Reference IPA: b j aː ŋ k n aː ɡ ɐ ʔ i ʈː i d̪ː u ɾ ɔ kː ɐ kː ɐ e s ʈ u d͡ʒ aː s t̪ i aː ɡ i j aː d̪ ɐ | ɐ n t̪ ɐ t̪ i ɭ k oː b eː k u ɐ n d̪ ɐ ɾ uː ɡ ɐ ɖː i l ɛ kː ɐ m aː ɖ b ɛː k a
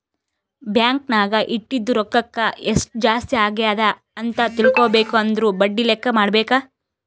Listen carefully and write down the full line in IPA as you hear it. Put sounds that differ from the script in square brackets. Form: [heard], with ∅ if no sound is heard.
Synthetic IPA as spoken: b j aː ŋ k n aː ɡ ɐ ʔ i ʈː i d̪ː u ɾ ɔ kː ɐ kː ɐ e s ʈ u d͡ʒ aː s t̪ i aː ɡ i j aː d̪ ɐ | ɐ n t̪ ɐ t̪ i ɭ k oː b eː k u ɐ n d̪ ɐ ɾ uː [b] ɐ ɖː i l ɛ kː ɐ m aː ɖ b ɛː k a

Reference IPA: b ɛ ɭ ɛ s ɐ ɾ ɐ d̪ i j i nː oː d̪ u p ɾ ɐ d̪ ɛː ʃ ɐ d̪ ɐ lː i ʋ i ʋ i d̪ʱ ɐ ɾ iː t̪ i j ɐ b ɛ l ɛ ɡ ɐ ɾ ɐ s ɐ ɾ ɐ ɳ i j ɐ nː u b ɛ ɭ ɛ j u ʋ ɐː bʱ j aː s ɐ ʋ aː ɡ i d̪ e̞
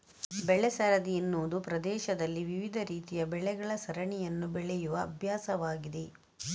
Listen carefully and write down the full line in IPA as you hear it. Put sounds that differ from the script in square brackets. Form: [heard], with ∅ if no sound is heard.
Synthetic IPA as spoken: b ɛ ɭ ɛ s ɐ ɾ ɐ d̪ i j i nː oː d̪ u p ɾ ɐ d̪ ɛː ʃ ɐ d̪ ɐ lː i ʋ i ʋ i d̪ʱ ɐ ɾ iː t̪ i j ɐ b ɛ [ɭ] ɛ ɡ ɐ [ɭ] ɐ s ɐ ɾ ɐ ɳ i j ɐ nː u b ɛ ɭ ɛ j u ʋ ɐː bʱ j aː s ɐ ʋ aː ɡ i d̪ e̞

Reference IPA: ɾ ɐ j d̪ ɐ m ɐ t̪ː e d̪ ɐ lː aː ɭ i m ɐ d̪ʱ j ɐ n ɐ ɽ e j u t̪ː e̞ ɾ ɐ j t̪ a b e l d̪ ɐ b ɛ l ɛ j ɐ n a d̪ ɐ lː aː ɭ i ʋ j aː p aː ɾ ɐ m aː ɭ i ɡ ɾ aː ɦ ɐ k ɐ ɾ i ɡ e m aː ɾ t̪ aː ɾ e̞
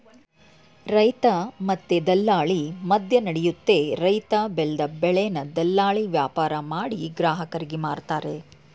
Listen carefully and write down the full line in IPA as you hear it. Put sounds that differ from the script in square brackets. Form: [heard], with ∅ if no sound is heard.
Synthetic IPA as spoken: ɾ ɐ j [t̪] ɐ m ɐ t̪ː e d̪ ɐ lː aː ɭ i m ɐ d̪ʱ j ɐ n ɐ ɽ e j u t̪ː e̞ ɾ ɐ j t̪ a b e l d̪ ɐ b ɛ [ɭ] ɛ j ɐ n [ɐ] d̪ ɐ lː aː ɭ i ʋ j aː p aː ɾ ɐ m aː [ɽ] i ɡ ɾ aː ɦ ɐ k ɐ ɾ i ɡ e m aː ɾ t̪ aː ɾ e̞

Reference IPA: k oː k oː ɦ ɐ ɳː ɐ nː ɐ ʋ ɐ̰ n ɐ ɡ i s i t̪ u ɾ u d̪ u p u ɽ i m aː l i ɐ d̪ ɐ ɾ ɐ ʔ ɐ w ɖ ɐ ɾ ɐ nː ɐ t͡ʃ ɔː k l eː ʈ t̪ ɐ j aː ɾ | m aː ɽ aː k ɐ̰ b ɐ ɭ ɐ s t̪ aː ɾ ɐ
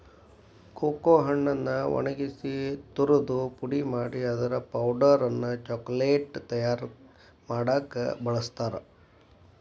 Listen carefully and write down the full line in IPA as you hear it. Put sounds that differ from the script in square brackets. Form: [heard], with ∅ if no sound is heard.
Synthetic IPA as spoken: k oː k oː ɦ ɐ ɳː ɐ nː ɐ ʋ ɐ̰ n ɐ ɡ i s i t̪ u ɾ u d̪ u p u ɽ i m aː [ɽ] i ɐ d̪ ɐ ɾ ɐ [p] ɐ w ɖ ɐ ɾ ɐ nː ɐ t͡ʃ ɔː k l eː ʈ t̪ ɐ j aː ɾ | m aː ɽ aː k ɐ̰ b ɐ ɭ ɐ s t̪ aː ɾ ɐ

